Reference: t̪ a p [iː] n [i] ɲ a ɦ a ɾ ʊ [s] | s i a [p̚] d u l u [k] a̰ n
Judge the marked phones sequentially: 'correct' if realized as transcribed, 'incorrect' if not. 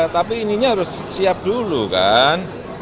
correct, correct, correct, correct, correct

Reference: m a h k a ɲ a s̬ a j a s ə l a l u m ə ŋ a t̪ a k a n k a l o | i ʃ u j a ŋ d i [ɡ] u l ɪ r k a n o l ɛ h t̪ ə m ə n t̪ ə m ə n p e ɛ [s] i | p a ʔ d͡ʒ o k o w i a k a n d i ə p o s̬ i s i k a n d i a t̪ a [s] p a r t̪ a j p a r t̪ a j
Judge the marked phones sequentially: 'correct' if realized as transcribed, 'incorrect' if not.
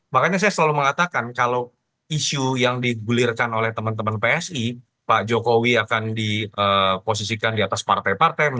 correct, correct, correct

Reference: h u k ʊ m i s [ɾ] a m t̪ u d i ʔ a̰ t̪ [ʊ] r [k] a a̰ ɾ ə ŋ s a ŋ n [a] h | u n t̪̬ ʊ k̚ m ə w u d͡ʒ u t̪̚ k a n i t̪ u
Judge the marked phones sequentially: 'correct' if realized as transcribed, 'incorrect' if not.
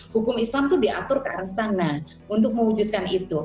incorrect: l, correct, correct, correct

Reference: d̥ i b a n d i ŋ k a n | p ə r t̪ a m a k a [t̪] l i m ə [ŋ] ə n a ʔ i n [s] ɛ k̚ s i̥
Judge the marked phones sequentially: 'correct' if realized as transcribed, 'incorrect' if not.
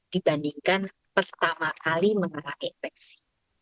incorrect: none, correct, incorrect: f

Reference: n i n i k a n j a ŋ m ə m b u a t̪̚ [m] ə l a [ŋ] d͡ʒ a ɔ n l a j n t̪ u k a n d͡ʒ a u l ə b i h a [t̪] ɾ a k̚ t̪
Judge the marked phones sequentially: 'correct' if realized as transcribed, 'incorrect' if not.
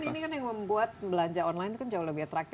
incorrect: b, incorrect: ɲ, correct

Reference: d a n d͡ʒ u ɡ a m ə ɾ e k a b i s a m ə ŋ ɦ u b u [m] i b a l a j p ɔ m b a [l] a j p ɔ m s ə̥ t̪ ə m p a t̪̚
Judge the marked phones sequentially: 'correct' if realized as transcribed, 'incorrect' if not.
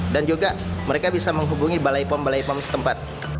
incorrect: ŋ, correct

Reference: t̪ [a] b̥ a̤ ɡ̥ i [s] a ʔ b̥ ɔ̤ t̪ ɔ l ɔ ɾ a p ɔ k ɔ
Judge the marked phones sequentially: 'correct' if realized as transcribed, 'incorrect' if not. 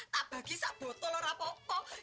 correct, correct

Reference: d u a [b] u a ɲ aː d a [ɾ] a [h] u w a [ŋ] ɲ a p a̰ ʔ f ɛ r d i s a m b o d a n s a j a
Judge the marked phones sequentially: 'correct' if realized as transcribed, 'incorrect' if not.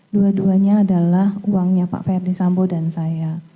incorrect: d, incorrect: l, correct, correct

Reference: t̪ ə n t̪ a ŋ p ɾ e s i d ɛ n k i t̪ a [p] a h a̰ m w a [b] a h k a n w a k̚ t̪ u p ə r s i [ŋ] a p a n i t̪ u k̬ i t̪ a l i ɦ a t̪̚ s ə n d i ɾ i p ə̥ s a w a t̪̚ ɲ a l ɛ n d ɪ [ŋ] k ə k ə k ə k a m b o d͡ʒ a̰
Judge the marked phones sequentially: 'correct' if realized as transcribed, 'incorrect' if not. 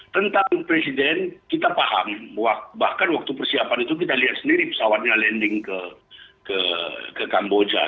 correct, correct, incorrect: none, correct

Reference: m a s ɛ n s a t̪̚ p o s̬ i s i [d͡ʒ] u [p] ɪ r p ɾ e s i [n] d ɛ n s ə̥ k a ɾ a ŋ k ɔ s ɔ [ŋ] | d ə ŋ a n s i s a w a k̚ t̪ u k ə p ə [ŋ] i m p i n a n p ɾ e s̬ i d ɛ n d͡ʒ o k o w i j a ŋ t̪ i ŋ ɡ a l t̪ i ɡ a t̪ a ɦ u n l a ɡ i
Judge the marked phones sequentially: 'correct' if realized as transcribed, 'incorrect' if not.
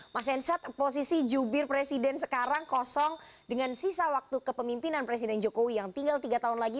correct, incorrect: b, incorrect: none, correct, incorrect: m

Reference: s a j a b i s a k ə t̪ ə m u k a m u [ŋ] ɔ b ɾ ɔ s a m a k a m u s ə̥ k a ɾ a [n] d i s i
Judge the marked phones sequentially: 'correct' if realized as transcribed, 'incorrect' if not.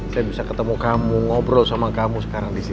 correct, incorrect: ŋ

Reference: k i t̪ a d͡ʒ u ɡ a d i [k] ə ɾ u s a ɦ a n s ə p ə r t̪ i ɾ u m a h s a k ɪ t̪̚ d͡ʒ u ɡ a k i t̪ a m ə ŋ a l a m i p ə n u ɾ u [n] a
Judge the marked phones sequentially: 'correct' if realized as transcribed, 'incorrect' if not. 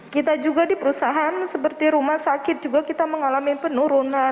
incorrect: p, correct

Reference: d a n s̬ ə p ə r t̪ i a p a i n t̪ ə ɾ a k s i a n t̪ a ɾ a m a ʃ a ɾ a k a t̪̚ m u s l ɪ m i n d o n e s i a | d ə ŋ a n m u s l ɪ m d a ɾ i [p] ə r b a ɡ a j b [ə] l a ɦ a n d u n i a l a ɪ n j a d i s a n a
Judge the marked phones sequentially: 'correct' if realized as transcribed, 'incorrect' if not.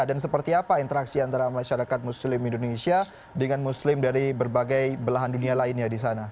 incorrect: b, correct

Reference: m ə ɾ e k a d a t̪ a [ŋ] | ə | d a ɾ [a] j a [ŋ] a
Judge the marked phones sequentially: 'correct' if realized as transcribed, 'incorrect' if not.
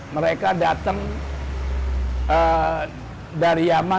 correct, incorrect: i, incorrect: m

